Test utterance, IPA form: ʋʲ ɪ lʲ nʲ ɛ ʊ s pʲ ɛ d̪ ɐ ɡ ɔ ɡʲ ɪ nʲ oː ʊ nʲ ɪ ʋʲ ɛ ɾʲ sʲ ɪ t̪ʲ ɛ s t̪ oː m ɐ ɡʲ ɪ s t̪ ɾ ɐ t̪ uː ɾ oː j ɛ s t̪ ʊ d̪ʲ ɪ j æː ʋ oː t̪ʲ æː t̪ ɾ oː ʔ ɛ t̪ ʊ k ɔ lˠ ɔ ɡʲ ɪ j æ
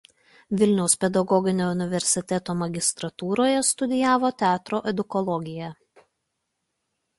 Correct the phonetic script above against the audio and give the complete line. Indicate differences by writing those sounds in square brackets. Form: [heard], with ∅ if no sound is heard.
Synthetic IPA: ʋʲ ɪ lʲ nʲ ɛ ʊ s pʲ ɛ d̪ ɐ ɡ ɔ ɡʲ ɪ nʲ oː ʊ nʲ ɪ ʋʲ ɛ ɾʲ sʲ ɪ t̪ʲ ɛ [∅] t̪ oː m ɐ ɡʲ ɪ s t̪ ɾ ɐ t̪ uː ɾ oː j ɛ s t̪ ʊ d̪ʲ ɪ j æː ʋ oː t̪ʲ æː t̪ ɾ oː ʔ ɛ [d̪] ʊ k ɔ lˠ ɔ ɡʲ ɪ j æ

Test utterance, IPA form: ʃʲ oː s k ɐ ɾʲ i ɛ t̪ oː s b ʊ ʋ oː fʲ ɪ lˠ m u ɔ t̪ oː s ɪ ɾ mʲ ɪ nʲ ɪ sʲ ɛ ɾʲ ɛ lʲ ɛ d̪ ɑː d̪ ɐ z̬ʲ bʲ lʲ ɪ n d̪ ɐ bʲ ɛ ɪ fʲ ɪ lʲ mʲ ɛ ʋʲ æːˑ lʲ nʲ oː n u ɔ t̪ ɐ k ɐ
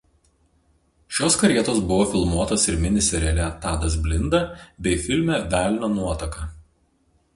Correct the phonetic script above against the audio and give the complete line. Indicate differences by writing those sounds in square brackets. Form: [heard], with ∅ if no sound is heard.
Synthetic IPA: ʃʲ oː s k ɐ ɾʲ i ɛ t̪ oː s b ʊ ʋ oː fʲ ɪ lˠ m u ɔ t̪ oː s ɪ ɾ mʲ ɪ nʲ ɪ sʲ ɛ ɾʲ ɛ lʲ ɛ [t̪] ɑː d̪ ɐ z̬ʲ bʲ lʲ ɪ n d̪ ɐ bʲ ɛ ɪ fʲ ɪ lʲ mʲ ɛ ʋʲ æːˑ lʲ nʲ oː n u ɔ t̪ ɐ k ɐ

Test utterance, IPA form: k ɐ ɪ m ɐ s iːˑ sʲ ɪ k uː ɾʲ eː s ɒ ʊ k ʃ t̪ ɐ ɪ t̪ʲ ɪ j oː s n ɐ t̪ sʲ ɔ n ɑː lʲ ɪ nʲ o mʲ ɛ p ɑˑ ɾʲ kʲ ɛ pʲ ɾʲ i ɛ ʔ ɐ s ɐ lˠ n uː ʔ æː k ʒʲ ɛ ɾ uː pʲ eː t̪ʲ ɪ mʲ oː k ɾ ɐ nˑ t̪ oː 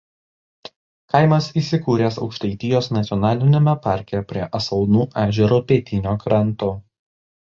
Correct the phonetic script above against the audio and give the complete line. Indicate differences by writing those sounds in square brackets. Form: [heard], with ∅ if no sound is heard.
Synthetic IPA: k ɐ ɪ m ɐ s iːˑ sʲ ɪ k uː ɾʲ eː s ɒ ʊ k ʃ t̪ ɐ ɪ t̪ʲ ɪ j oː s n ɐ t̪ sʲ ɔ n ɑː lʲ ɪ nʲ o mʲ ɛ p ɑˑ ɾʲ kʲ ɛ pʲ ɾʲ i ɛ ʔ ɐ s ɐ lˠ n uː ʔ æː [∅] ʒʲ ɛ ɾ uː pʲ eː t̪ʲ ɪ [nʲ] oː k ɾ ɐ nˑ t̪ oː

